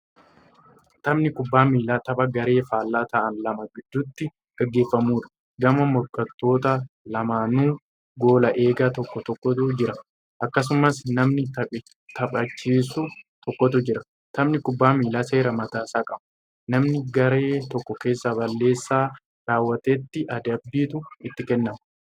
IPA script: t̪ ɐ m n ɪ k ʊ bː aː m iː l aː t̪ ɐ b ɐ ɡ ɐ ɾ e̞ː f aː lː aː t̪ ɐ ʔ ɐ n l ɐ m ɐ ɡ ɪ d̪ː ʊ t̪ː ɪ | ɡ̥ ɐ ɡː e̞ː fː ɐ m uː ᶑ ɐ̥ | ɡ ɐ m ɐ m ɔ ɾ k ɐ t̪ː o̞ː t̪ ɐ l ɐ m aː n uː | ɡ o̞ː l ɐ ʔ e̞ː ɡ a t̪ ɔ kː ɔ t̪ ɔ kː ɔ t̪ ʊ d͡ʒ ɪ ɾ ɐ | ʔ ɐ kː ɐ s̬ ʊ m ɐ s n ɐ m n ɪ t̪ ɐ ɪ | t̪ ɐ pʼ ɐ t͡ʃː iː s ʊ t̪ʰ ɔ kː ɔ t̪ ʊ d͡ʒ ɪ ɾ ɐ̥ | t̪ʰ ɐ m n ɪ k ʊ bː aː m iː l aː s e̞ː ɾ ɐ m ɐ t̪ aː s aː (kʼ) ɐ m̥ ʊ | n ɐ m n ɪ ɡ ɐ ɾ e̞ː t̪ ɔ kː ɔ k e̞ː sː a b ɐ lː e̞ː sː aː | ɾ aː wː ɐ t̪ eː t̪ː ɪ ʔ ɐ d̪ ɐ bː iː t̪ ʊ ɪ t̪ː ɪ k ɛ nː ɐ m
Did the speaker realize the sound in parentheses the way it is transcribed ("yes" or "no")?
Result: yes